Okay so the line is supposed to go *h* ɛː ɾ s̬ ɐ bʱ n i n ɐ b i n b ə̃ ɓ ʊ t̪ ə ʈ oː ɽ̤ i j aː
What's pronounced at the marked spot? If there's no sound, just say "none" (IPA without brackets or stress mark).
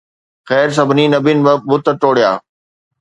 x